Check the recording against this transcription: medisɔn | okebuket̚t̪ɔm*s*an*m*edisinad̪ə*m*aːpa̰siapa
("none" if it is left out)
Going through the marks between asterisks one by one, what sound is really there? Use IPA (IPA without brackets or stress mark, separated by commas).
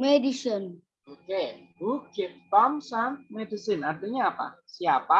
s, m, ɲ